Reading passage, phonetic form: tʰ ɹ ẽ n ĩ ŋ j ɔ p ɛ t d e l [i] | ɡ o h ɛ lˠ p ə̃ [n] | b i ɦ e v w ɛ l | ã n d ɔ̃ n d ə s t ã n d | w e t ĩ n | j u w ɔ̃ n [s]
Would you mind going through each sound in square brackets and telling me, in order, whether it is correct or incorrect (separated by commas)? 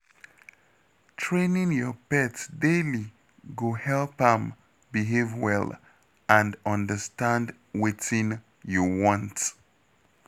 correct, incorrect, incorrect